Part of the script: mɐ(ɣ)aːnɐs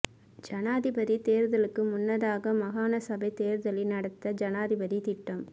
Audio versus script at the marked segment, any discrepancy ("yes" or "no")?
no